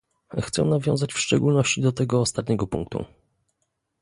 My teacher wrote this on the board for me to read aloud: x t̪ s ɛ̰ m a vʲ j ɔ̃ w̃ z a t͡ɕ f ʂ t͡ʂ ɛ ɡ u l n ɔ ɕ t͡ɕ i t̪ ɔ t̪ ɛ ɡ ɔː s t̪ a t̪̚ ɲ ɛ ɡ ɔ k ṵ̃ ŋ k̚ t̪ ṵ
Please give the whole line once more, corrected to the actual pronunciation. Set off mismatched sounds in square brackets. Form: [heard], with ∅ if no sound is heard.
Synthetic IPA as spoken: x t̪ s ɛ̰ [n] a vʲ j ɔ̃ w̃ z a t͡ɕ f ʂ t͡ʂ ɛ ɡ u l n ɔ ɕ t͡ɕ i [d̪] ɔ t̪ ɛ ɡ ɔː s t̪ a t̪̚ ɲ ɛ ɡ ɔ [p] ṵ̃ ŋ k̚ t̪ ṵ